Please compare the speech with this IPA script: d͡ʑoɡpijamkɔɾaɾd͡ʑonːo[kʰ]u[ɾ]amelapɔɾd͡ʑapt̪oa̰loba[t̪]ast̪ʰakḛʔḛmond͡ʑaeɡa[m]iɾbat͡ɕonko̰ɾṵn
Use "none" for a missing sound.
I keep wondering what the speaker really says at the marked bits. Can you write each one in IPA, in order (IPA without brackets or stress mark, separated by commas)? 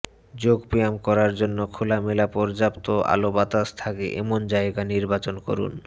kʰ, l, t̪, n